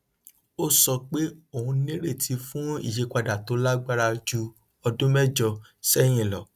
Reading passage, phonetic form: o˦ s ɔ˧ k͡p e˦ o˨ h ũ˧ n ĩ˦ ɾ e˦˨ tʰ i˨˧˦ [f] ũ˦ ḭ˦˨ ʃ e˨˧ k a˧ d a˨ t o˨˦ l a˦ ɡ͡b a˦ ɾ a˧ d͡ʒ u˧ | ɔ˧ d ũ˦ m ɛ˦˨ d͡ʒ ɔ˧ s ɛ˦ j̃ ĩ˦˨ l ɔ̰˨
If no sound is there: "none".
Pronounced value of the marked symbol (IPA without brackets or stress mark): f